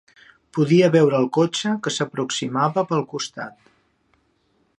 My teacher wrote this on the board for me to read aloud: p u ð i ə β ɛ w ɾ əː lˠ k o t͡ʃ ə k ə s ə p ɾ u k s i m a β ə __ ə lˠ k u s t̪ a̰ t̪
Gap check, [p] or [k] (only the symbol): p